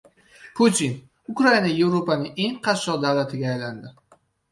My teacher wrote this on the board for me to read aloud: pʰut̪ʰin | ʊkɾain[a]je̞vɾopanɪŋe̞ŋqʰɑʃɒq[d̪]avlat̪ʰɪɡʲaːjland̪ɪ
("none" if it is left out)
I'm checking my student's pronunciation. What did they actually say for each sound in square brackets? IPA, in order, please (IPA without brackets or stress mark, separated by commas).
a, d̪